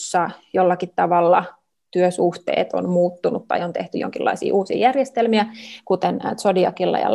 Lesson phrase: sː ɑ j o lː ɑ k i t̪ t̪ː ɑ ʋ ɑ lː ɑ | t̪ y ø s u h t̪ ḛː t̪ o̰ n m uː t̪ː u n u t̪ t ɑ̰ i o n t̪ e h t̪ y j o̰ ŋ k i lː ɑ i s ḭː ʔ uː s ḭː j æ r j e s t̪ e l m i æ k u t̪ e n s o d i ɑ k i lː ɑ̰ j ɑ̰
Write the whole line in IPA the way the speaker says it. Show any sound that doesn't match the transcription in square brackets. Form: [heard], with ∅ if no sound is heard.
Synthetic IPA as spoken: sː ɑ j o lː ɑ k i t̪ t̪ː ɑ ʋ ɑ lː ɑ | t̪ y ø s u h t̪ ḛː t̪ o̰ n m uː t̪ː u n u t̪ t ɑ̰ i o n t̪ e h t̪ y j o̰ ŋ k i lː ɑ i s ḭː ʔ uː s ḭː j æ r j e s t̪ e l m i æ k u t̪ e n s o d i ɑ k i lː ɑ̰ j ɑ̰